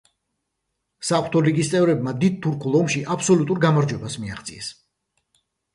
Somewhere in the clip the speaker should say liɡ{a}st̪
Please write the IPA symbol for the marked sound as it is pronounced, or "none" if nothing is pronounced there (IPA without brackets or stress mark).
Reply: i